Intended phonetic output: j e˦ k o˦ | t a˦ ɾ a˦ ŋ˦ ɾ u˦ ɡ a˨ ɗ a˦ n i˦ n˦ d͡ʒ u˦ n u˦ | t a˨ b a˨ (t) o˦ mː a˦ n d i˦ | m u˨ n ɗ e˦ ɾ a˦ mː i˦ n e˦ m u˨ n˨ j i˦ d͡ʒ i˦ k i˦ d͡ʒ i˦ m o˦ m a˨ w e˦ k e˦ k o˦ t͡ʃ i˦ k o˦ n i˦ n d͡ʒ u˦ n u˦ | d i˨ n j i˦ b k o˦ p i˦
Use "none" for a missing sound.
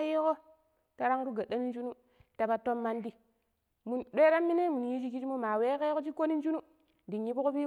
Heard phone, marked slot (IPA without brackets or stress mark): t